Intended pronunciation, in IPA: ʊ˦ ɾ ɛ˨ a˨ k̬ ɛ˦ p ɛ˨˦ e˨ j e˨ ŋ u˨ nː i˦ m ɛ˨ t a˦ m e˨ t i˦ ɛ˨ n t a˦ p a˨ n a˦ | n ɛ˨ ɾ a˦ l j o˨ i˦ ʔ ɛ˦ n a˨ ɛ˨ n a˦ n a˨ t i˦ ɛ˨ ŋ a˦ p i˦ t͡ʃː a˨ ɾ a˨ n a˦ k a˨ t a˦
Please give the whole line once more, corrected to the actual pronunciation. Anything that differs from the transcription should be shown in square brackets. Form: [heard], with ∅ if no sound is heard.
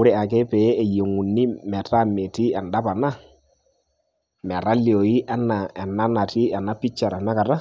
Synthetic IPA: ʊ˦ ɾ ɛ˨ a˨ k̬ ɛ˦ p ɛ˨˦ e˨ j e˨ ŋ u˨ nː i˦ m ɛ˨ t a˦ m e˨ t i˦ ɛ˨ n [d] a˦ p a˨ n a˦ | [m] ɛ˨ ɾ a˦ l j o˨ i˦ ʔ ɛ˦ n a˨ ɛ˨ n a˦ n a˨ t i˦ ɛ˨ [n] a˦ p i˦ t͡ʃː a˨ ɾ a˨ n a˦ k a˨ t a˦